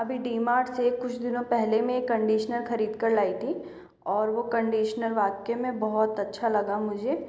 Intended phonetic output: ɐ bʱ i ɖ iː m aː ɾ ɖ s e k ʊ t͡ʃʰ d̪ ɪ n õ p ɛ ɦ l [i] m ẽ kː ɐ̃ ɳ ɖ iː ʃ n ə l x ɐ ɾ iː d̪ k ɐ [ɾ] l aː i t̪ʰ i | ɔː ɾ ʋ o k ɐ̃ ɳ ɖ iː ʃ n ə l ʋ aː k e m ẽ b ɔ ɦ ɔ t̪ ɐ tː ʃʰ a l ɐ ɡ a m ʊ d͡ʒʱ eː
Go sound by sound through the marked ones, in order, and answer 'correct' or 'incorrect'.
incorrect: e, correct

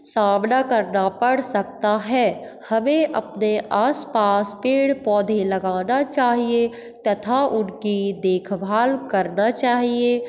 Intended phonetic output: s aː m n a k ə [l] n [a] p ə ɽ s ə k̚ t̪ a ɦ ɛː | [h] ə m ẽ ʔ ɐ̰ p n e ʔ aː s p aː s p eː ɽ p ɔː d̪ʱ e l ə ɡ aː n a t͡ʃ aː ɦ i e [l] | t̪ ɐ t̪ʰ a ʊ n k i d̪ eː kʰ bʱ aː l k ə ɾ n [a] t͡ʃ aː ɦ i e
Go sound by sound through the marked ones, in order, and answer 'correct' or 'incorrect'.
incorrect: ɾ, correct, correct, incorrect: none, correct

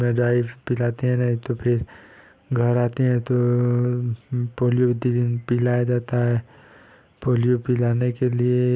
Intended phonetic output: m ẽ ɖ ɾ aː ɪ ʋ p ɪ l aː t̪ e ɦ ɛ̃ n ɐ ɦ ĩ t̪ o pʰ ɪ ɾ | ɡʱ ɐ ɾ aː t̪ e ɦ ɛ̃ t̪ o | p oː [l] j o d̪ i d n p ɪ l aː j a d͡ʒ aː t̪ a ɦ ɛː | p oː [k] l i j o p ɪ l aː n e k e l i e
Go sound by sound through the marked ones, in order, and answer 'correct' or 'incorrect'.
correct, incorrect: none

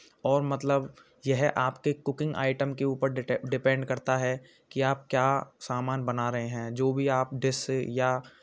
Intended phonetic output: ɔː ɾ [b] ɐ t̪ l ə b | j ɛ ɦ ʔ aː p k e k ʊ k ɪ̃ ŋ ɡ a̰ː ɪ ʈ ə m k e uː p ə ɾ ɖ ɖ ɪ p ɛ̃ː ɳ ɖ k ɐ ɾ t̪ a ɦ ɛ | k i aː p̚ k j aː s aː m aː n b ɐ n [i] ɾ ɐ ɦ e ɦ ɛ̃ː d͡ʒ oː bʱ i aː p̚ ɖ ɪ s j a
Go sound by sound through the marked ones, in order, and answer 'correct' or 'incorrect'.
incorrect: m, incorrect: a

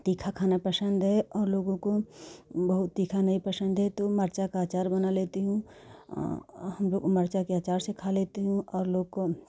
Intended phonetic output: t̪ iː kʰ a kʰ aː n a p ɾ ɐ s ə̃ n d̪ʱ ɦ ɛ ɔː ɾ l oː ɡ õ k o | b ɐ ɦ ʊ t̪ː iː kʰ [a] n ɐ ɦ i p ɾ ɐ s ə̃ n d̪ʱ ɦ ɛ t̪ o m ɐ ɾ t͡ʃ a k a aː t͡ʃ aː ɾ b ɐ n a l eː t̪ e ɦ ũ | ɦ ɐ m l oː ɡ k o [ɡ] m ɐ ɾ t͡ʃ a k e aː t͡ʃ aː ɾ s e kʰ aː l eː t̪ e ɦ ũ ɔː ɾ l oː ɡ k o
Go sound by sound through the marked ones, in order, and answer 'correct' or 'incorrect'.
correct, incorrect: none

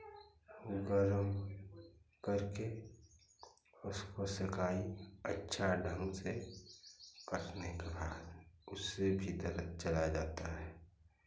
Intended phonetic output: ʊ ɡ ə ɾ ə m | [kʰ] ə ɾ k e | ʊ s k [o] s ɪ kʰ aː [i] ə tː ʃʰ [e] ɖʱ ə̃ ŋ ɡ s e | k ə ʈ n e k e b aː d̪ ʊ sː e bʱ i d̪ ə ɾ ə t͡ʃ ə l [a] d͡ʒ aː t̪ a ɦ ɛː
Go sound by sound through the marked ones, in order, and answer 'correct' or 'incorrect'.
incorrect: k, correct, correct, incorrect: a, correct

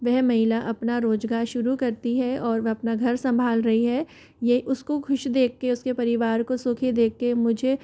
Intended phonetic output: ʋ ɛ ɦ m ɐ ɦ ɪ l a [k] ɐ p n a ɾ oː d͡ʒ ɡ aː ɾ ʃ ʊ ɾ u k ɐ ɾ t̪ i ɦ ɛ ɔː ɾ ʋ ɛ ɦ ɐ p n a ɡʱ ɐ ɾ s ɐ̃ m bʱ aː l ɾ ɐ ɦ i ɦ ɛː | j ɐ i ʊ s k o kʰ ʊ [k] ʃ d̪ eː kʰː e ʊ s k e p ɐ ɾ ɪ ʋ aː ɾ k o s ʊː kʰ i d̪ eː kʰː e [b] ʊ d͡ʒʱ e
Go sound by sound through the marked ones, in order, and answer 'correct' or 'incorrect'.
incorrect: ʔ, incorrect: none, incorrect: m

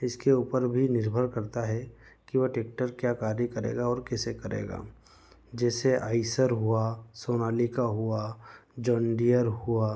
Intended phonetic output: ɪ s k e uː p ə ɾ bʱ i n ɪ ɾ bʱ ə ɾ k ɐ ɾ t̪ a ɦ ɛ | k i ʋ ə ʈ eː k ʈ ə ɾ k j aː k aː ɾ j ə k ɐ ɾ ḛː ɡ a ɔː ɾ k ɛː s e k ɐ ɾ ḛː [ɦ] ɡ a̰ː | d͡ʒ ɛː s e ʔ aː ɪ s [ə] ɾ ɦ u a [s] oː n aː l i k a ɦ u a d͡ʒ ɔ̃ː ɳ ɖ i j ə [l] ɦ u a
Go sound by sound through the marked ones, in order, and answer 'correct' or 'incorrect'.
incorrect: none, correct, correct, incorrect: ɾ

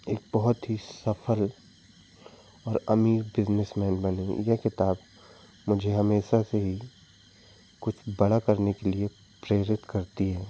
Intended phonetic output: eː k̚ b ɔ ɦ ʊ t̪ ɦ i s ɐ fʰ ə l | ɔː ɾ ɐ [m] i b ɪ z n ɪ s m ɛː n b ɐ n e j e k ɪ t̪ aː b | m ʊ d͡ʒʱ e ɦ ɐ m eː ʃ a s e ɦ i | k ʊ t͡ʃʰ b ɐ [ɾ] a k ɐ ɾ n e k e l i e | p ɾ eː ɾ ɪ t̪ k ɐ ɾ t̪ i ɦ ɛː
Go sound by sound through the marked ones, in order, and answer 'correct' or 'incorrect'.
correct, incorrect: ɽ

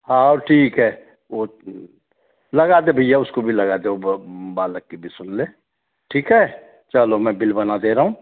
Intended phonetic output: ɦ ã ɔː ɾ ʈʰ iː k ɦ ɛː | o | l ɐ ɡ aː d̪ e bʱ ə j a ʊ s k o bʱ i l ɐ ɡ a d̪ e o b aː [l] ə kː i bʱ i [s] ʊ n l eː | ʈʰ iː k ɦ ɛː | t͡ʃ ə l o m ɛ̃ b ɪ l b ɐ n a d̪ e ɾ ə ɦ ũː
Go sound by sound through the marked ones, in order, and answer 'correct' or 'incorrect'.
correct, correct

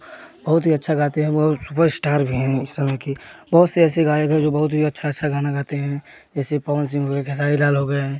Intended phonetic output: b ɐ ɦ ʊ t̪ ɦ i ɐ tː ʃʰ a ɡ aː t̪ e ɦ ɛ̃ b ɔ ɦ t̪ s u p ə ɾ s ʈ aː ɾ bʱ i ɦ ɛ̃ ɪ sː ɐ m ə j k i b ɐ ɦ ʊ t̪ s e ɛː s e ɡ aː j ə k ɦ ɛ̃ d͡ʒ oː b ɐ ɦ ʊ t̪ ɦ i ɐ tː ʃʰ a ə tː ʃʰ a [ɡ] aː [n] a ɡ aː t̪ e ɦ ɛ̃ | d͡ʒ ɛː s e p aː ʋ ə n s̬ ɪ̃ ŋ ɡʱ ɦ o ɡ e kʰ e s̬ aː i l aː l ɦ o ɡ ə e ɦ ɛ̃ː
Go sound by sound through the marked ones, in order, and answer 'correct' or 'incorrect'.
correct, correct

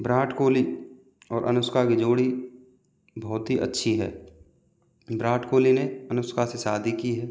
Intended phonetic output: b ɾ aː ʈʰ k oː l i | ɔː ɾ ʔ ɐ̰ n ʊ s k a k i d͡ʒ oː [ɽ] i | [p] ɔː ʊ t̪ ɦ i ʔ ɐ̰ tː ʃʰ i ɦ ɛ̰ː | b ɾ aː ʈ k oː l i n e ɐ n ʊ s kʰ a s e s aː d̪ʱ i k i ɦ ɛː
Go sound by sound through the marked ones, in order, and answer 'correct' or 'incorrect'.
correct, incorrect: b

